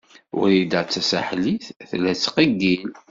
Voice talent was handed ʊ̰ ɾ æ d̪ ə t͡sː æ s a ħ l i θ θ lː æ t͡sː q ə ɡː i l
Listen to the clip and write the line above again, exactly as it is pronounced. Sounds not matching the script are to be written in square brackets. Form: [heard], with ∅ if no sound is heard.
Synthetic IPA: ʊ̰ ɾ [i] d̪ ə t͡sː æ s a ħ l i θ θ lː æ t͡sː q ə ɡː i l

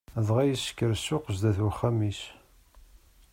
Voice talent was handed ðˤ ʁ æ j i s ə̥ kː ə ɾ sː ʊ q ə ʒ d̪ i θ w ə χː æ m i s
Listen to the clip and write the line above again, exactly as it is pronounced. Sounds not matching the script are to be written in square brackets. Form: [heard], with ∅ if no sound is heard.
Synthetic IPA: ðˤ ʁ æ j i s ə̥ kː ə ɾ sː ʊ q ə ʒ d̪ [æ] θ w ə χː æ m i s

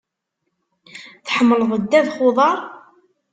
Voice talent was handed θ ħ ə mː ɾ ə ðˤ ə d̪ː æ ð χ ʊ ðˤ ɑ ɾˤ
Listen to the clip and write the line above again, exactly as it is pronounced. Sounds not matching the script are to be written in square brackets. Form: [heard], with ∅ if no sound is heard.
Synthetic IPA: θ ħ ə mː [l] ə ðˤ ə d̪ː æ ð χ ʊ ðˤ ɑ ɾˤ

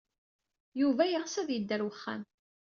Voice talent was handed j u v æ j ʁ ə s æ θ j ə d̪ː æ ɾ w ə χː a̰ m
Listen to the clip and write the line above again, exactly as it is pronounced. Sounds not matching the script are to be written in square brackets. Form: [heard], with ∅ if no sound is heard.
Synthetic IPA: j u v æ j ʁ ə s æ [ð] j ə d̪ː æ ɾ w ə χː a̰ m

